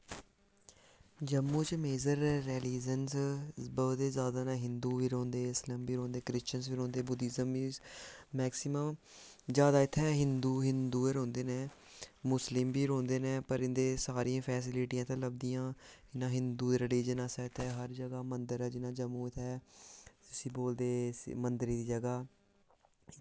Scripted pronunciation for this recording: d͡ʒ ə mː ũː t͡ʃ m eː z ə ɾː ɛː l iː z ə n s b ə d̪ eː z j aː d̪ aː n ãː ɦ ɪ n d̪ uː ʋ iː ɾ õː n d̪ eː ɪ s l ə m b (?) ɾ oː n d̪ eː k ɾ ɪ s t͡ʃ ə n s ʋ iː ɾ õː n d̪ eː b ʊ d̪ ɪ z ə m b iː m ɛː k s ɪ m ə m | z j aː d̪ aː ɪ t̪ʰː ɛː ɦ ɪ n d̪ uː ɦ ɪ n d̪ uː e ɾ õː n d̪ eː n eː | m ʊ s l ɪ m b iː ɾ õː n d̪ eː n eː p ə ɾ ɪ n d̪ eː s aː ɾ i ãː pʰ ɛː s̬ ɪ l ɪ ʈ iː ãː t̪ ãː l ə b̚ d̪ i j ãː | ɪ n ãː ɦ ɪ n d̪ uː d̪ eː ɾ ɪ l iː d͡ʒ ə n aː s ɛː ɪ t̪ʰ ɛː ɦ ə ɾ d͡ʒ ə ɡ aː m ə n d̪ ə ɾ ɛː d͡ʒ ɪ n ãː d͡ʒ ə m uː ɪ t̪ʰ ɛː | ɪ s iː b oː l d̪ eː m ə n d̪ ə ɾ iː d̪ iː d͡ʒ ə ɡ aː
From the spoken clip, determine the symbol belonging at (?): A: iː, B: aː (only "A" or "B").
A